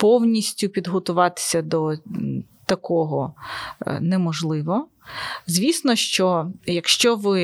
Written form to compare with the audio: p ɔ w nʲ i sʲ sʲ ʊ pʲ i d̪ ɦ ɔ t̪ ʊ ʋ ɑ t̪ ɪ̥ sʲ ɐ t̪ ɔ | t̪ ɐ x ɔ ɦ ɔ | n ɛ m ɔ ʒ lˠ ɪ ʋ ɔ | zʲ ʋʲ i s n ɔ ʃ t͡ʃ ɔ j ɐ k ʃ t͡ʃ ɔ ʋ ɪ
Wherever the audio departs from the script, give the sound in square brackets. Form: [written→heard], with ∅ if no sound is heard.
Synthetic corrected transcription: p ɔ w nʲ i sʲ [sʲ→tʲ] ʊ pʲ i d̪ ɦ ɔ t̪ ʊ ʋ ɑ t̪ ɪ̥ sʲ ɐ [t̪→d̪] ɔ | t̪ ɐ [x→k] ɔ ɦ ɔ | n ɛ m ɔ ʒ lˠ ɪ ʋ ɔ | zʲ ʋʲ i s n ɔ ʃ t͡ʃ ɔ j ɐ k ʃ t͡ʃ ɔ ʋ ɪ